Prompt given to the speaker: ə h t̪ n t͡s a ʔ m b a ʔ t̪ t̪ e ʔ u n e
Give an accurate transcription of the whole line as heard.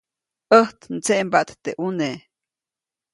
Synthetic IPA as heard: ə h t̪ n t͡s e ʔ m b a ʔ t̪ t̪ e ʔ u n e